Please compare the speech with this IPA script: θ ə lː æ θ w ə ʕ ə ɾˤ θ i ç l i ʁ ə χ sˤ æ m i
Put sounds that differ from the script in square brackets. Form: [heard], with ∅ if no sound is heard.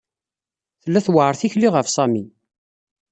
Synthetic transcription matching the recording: θ ə lː æ θ w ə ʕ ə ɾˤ θ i ç l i ʁ ə [f] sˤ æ m i